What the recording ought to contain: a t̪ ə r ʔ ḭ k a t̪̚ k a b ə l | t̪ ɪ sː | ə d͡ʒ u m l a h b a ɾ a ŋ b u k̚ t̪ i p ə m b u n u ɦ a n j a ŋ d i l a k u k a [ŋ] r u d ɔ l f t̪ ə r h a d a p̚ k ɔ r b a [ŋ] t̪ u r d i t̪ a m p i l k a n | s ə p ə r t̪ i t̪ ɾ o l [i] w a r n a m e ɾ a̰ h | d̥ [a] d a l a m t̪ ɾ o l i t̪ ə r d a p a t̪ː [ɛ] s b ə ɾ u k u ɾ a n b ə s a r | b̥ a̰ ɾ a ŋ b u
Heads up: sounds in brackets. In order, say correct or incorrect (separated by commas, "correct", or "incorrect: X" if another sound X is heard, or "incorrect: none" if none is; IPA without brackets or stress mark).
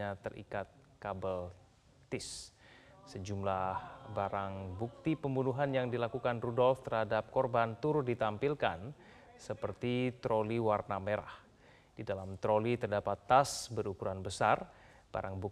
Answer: incorrect: n, incorrect: n, correct, incorrect: i, incorrect: a